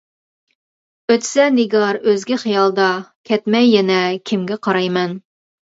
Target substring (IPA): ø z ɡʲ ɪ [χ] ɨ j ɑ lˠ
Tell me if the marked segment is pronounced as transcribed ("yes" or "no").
yes